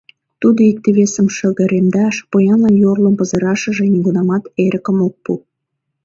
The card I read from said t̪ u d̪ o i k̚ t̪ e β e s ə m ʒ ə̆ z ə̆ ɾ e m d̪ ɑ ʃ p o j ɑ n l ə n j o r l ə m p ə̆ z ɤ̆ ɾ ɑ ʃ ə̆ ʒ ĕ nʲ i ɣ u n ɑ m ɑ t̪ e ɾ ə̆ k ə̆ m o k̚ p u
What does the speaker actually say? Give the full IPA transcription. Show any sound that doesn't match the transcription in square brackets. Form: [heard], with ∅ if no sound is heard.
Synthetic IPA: t̪ u d̪ o i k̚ t̪ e β e s ə m [ʃ] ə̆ [ɣ] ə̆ ɾ e m d̪ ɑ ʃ p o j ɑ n l [ɑ] n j o r l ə m p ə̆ z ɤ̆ ɾ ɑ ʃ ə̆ ʒ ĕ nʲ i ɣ u n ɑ m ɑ t̪ e ɾ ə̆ k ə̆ m o k̚ p u

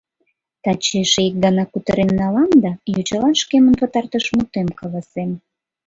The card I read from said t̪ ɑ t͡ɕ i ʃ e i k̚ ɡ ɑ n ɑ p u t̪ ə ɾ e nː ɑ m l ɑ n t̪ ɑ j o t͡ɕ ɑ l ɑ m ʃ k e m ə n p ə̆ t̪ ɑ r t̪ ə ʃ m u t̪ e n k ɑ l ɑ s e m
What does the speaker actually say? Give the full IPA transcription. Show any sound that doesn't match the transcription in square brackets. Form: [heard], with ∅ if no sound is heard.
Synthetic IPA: t̪ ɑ t͡ɕ [e] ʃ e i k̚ ɡ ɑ n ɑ [k] u t̪ ə ɾ e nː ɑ [∅] l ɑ n [d̪] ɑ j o t͡ɕ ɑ l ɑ [n] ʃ k e m ə n p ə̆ t̪ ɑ r t̪ ə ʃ m u t̪ e [m] k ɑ l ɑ s e m

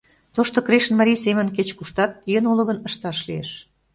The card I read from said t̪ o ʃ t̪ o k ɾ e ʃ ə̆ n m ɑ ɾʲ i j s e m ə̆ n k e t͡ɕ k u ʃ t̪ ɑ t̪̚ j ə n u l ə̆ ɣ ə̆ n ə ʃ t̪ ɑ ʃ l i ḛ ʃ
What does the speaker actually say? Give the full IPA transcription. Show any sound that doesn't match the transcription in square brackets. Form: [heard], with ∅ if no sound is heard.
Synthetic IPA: t̪ o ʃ t̪ o k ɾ e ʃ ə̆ n m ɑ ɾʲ i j s e m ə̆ n k e t͡ɕ k u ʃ t̪ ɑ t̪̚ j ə n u l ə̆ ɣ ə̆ n ə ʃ t̪ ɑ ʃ l i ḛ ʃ

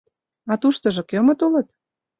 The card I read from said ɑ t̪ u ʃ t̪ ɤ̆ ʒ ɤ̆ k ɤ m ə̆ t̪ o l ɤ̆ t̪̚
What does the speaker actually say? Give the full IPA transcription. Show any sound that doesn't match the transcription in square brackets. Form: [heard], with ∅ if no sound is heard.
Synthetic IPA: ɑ t̪ u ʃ t̪ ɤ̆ ʒ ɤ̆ k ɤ m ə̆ t̪ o l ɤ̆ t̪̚

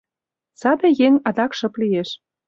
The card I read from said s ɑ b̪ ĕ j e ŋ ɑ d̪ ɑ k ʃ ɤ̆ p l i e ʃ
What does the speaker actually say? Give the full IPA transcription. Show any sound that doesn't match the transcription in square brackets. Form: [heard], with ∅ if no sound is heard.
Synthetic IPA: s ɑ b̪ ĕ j e ŋ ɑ d̪ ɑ k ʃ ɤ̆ p l i e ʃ

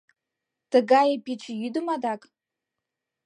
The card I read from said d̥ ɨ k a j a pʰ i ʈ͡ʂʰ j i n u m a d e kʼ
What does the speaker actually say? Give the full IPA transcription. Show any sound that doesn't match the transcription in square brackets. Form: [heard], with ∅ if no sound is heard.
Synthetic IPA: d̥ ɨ [ɡ] a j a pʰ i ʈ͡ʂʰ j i [d] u m a d [a] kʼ

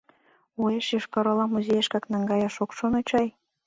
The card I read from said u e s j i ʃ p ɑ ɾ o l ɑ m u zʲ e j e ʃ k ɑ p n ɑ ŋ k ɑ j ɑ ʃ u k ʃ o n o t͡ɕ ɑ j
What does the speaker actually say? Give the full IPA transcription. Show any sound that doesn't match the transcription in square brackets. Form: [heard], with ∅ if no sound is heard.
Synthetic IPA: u e [ʃ] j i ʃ [k] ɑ ɾ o l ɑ m u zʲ e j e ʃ k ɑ [k] n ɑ ŋ [ɡ] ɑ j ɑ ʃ [o] k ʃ o n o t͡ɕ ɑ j

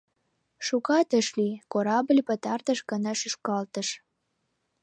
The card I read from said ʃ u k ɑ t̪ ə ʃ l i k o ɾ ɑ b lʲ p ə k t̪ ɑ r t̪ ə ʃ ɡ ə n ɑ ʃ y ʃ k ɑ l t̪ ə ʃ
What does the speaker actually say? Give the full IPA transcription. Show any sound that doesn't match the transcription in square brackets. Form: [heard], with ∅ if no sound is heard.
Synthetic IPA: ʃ u k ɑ t̪ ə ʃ l i k o ɾ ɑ b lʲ p ə [∅] t̪ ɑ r t̪ ə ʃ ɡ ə n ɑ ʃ y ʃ k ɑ l t̪ ə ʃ

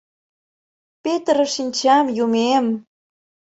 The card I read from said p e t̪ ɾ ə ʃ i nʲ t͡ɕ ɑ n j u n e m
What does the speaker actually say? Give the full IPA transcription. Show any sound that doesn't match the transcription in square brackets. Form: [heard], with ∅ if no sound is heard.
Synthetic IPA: p e t̪ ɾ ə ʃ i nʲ t͡ɕ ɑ [m] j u [m] e m

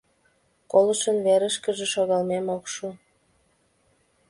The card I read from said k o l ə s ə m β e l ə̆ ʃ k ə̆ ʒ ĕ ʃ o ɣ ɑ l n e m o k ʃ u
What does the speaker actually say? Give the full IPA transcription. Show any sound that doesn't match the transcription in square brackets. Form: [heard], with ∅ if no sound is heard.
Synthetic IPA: k o l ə [ʃ] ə [n] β e [ɾ] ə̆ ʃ k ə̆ ʒ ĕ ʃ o ɣ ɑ l [m] e m o k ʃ u

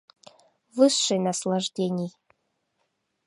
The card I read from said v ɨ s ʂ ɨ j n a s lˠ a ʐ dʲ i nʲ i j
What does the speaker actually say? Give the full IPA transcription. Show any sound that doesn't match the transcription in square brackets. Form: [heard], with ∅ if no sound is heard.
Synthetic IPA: v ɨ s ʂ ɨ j n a s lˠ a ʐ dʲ [e] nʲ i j

